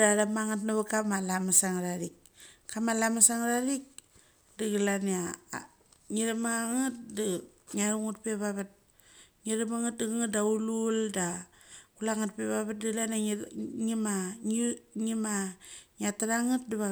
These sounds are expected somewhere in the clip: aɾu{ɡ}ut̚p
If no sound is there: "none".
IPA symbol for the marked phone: ŋ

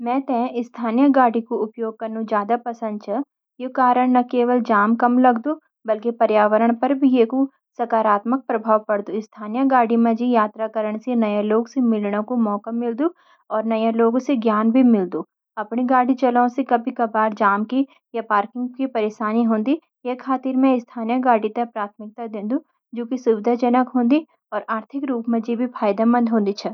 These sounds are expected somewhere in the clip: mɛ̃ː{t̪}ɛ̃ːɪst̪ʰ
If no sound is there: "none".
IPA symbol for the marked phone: t̪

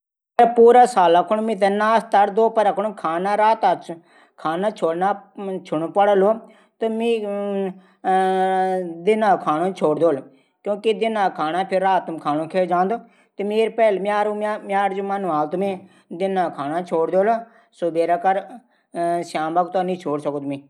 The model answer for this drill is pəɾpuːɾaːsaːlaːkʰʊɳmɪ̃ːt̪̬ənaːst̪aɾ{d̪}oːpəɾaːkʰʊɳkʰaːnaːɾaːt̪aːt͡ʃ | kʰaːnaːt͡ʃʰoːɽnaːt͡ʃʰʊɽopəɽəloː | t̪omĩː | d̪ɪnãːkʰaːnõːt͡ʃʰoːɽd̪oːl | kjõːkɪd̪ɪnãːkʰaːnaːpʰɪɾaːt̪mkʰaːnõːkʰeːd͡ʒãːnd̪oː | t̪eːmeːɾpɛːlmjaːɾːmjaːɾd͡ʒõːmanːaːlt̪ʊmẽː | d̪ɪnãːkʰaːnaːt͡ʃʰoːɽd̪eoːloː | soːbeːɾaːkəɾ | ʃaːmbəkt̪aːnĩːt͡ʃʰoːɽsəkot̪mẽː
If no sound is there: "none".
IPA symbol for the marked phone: d̪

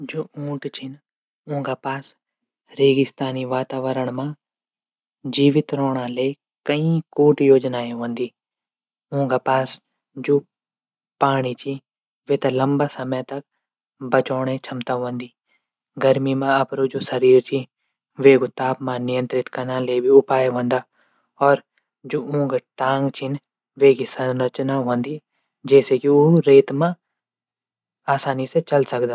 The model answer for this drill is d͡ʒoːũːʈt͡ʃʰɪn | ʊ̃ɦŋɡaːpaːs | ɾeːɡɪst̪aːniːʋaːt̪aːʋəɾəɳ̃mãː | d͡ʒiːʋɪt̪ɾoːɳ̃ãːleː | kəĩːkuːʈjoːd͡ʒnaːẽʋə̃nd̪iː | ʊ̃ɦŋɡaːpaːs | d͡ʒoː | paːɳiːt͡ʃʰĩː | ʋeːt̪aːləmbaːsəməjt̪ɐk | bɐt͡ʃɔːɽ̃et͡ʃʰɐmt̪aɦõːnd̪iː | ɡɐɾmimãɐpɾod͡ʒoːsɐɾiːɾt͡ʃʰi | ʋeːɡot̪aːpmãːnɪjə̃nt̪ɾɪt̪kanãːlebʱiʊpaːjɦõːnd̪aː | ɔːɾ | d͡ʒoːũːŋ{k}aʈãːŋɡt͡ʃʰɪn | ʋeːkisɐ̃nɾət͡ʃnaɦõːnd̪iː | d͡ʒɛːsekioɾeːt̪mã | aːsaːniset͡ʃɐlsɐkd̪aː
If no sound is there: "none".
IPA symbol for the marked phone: ɡ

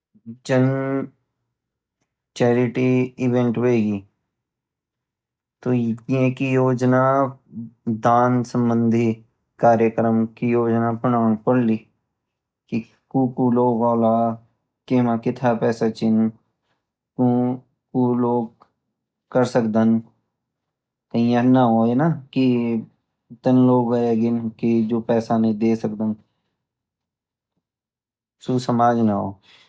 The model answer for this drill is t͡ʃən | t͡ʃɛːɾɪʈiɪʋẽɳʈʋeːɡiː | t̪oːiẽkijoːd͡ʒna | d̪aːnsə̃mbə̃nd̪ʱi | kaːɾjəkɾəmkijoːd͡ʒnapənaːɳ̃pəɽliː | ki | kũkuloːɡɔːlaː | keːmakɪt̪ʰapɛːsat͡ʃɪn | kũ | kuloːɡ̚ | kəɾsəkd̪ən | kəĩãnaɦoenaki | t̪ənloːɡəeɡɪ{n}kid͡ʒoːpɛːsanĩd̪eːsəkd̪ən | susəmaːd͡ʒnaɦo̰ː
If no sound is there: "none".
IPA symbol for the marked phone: n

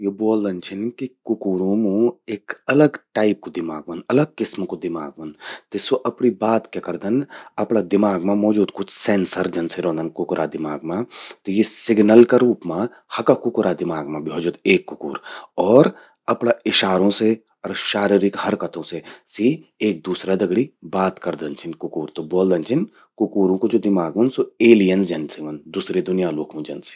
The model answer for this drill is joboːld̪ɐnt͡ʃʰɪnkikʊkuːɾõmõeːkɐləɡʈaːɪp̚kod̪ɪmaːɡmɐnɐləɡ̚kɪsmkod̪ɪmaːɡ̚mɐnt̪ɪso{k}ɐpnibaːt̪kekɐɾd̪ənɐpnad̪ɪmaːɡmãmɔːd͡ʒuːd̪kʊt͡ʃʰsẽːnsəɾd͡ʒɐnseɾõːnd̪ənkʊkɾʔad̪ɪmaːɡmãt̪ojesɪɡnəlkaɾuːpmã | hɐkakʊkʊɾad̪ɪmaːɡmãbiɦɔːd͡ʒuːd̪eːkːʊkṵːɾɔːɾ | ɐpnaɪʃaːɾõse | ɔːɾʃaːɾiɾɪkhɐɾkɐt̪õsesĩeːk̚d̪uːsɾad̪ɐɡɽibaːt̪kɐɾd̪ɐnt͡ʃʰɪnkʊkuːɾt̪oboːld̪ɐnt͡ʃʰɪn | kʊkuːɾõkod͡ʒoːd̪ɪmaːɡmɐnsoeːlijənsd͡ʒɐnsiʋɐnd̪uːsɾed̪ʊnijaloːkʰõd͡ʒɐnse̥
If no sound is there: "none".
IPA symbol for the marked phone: ʔ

